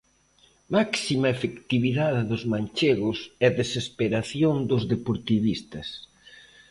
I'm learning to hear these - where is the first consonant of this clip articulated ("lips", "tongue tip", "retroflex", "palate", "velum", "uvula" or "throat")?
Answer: lips